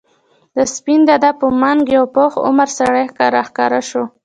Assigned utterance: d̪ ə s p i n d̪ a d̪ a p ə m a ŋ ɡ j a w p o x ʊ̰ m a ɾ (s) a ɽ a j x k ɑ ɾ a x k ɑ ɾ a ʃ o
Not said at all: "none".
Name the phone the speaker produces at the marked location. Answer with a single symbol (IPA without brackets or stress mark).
s